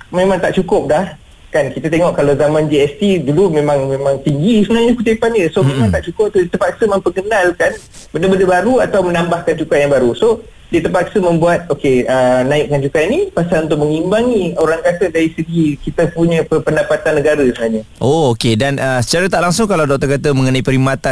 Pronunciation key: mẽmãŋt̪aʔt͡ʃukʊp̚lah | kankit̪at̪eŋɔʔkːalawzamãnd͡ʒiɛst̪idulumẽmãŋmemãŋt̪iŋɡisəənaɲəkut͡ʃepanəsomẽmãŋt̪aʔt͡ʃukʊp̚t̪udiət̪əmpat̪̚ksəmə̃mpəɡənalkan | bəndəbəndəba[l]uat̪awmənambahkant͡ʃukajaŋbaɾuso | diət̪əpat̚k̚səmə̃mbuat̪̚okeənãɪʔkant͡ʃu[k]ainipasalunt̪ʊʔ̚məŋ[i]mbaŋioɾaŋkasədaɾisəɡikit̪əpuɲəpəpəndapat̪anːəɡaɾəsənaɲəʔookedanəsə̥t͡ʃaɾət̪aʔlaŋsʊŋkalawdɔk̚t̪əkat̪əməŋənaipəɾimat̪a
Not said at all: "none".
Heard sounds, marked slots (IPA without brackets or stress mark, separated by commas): ɾ, k, i